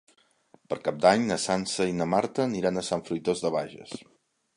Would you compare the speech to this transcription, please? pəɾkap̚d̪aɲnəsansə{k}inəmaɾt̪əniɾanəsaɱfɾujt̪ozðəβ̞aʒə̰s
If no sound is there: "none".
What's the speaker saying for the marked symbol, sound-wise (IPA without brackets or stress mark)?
none